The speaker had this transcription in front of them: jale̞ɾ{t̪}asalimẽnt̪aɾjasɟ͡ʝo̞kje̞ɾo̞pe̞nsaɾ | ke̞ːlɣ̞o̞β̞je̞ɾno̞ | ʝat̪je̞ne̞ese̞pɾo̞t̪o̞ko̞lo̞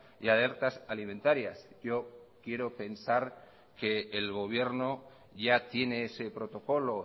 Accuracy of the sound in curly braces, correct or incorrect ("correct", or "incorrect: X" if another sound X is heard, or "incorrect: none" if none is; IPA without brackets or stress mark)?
correct